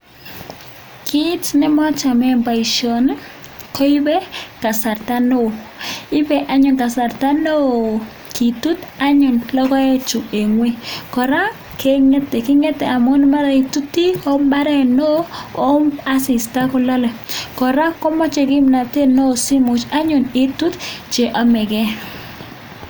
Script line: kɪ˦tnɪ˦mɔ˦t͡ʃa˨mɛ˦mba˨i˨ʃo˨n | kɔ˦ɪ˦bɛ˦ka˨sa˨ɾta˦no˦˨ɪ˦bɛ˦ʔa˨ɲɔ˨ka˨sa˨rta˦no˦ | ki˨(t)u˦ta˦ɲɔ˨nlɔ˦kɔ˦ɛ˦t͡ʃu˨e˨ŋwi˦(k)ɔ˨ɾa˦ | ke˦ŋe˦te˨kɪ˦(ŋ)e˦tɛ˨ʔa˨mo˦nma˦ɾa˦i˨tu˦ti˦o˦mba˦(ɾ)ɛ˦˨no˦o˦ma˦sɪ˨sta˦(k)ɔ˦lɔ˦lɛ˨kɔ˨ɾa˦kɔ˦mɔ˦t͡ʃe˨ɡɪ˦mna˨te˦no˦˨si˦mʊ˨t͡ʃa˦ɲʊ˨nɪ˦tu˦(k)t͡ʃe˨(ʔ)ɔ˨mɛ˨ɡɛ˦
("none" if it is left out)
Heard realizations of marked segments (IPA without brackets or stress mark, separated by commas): t, k, ŋ, ɾ, k, t, ʔ